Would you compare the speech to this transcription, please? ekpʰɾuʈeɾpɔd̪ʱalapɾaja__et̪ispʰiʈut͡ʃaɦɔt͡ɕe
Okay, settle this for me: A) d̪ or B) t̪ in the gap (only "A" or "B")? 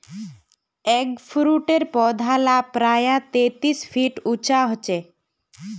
B